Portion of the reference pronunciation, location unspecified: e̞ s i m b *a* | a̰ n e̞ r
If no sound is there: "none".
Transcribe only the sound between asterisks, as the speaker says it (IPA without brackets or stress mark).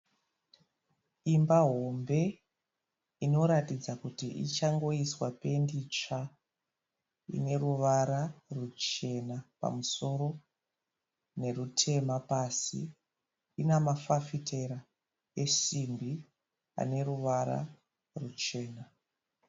i